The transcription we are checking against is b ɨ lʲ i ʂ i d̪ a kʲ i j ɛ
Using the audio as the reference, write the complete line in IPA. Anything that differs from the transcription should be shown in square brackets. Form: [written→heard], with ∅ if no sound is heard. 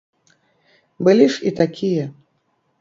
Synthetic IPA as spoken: b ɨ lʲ i ʂ i [d̪→t̪] a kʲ i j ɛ